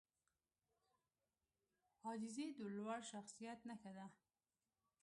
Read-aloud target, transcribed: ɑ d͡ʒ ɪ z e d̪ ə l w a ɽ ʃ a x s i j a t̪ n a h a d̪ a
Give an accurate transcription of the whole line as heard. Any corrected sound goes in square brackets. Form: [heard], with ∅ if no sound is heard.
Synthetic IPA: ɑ d͡ʒ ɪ z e d̪ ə l w a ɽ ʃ a x s i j a t̪ n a [x] a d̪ a